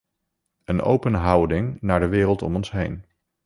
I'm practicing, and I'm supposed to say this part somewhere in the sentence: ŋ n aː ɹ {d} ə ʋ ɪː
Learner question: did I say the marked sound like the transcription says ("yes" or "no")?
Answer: yes